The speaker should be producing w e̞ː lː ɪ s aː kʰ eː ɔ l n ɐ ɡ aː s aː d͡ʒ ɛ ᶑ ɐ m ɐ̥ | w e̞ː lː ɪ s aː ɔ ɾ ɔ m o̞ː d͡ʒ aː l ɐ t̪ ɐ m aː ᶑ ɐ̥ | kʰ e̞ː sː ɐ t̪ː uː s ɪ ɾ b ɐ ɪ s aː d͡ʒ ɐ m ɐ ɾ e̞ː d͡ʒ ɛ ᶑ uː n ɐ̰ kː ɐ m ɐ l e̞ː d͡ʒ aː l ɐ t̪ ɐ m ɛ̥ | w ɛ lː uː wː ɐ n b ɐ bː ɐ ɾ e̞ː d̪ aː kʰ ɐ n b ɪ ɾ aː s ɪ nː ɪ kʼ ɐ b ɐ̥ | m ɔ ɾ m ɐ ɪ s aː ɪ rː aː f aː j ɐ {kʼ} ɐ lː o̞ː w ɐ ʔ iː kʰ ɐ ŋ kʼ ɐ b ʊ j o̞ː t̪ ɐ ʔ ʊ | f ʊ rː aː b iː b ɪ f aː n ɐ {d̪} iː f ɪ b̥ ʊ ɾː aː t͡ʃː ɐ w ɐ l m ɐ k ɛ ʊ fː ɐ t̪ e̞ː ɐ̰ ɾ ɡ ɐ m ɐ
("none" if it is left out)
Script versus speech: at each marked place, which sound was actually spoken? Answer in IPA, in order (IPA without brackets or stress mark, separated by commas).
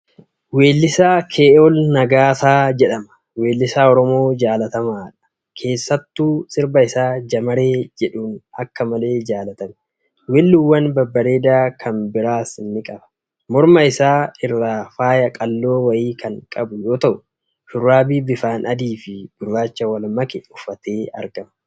kʼ, d̪